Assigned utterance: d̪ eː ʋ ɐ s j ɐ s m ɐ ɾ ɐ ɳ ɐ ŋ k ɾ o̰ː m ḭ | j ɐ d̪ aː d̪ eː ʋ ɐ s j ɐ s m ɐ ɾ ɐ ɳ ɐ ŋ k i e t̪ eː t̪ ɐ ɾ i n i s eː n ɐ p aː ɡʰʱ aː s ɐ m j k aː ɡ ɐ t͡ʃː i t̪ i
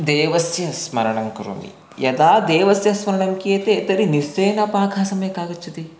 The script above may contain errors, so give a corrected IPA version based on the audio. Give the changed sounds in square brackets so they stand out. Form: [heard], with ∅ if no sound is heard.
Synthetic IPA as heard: d̪ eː ʋ ɐ s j ɐ s m ɐ ɾ ɐ ɳ ɐ ŋ k ɾ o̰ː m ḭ | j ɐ d̪ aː d̪ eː ʋ ɐ s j ɐ s m ɐ ɾ ɐ ɳ ɐ ŋ k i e t̪ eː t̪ ɐ ɾ i n i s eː n ɐ p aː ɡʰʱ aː s ɐ m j k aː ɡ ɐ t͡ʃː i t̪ i